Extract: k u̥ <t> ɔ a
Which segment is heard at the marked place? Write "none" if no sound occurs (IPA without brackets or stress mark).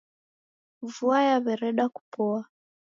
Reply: p